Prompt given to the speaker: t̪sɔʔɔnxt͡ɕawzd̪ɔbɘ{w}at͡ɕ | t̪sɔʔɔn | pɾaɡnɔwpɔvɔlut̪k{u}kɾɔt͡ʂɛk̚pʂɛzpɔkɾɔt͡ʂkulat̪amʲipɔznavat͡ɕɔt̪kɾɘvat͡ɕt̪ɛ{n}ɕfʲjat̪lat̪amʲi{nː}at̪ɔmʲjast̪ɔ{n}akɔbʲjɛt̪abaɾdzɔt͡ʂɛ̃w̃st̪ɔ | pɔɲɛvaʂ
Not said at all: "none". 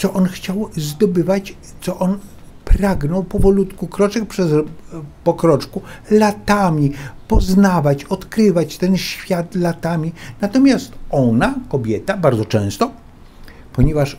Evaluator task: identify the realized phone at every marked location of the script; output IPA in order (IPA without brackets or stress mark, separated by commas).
v, u, n, n, n